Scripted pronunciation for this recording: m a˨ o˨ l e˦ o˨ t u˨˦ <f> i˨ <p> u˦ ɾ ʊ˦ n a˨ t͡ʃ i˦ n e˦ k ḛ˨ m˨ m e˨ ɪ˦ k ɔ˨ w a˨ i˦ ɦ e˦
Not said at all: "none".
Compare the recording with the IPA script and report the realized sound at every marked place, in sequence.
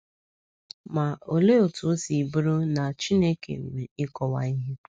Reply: s, b

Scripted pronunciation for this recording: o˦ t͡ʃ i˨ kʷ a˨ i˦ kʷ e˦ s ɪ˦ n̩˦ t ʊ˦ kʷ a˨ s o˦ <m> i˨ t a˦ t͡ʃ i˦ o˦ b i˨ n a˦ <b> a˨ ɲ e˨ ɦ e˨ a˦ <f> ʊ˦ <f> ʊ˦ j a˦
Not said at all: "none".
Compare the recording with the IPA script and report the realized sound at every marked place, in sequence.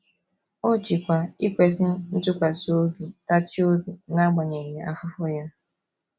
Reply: b, ɡ͡b, f, f

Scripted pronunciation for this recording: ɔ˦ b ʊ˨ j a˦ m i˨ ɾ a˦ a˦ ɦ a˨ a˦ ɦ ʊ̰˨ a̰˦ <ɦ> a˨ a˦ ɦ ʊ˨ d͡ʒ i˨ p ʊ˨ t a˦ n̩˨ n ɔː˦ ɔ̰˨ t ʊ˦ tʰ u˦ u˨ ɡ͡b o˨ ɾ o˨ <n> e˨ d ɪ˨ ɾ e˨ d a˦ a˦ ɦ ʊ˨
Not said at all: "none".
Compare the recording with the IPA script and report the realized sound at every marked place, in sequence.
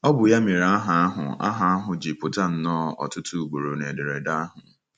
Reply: ɦ, n

